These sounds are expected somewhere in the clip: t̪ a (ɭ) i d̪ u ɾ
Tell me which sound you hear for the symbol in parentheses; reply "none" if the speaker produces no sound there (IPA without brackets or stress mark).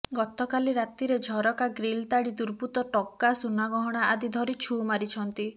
ɽ